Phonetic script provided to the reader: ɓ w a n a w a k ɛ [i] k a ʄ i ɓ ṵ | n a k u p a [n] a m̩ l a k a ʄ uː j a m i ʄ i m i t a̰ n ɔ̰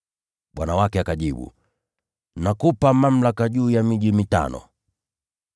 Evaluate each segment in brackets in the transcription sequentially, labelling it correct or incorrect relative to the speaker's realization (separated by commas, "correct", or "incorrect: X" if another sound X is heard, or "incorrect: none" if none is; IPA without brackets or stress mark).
incorrect: a, incorrect: m